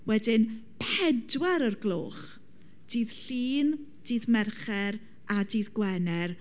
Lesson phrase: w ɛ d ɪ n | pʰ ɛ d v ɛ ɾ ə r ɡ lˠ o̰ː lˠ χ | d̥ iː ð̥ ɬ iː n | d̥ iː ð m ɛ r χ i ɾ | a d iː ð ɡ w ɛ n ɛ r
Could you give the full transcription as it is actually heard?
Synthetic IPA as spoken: w ɛ d ɪ n | pʰ ɛ d w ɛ ɾ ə r ɡ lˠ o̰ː χ | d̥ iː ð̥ ɬ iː n | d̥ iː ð m ɛ r χ ɛ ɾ | a d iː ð ɡ w ɛ n ɛ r